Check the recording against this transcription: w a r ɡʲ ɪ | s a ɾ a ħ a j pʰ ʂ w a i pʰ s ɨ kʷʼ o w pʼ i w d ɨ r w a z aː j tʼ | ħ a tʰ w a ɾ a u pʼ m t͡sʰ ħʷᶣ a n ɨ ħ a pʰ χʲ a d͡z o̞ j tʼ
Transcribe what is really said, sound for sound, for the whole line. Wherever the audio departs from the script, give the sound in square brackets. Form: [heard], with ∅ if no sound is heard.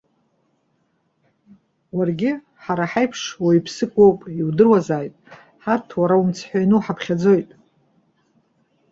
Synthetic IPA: w a r ɡʲ ɪ | [ħ] a ɾ a ħ a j pʰ ʂ w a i pʰ s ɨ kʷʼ o w pʼ i w d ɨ r w a z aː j tʼ | ħ a tʰ w a ɾ a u [∅] m t͡sʰ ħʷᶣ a n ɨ ħ a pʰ χʲ a d͡z o̞ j tʼ